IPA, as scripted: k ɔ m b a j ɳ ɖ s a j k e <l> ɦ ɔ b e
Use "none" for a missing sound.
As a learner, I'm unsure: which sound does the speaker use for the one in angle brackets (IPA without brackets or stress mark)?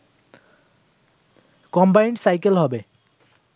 l